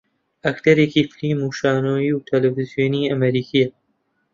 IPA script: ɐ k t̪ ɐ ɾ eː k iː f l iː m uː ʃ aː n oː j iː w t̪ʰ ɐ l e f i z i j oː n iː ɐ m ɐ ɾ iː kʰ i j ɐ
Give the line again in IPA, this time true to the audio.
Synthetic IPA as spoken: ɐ k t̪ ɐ ɾ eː k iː f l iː m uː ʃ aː n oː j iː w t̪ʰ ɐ l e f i z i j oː n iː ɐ m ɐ ɾ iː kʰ i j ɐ